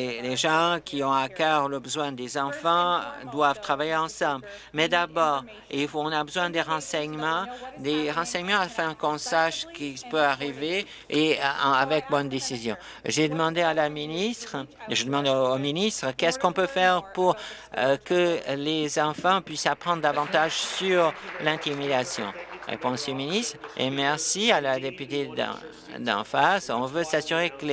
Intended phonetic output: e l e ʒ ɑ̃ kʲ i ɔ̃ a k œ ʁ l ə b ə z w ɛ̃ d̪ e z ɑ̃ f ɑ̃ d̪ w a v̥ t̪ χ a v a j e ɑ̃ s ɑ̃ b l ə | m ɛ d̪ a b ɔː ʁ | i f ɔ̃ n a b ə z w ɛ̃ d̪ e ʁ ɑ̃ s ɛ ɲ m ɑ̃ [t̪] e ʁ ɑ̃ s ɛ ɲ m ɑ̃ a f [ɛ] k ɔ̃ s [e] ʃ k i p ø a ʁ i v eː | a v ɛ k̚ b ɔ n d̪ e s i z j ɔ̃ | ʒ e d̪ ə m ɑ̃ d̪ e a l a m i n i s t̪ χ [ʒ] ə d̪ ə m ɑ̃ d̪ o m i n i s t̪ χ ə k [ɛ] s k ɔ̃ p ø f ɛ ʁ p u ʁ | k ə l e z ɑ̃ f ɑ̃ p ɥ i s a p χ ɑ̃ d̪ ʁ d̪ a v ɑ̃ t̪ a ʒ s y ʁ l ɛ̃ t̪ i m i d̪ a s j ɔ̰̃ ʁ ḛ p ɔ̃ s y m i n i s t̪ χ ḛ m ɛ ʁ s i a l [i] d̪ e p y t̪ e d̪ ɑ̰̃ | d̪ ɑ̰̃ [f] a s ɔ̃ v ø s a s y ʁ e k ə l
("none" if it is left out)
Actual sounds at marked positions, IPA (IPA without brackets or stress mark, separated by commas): d̪, ɛ̃, a, ʒ, ɛ, a, f